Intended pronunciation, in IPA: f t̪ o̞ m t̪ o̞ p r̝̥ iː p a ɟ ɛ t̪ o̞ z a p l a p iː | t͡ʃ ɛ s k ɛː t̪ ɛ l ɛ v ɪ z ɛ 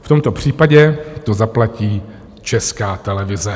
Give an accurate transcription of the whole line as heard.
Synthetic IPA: f t̪ o̞ m t̪ o̞ p r̝̥ iː p a ɟ ɛ t̪ o̞ z a p l a c iː | t͡ʃ ɛ s k aː t̪ ɛ l ɛ v ɪ z ɛ